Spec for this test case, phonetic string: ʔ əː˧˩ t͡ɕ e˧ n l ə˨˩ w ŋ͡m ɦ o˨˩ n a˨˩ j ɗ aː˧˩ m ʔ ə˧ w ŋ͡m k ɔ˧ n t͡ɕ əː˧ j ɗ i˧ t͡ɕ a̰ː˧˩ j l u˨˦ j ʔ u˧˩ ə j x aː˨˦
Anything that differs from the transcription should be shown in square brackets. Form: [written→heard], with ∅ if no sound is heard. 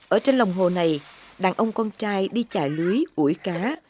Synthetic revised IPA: ʔ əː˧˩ t͡ɕ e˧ n l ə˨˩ w ŋ͡m ɦ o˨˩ n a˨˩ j ɗ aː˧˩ [m→ŋ] ʔ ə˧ w ŋ͡m k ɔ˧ n t͡ɕ [əː˧→aː˧] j ɗ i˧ t͡ɕ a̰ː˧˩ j l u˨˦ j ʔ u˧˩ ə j [x→k] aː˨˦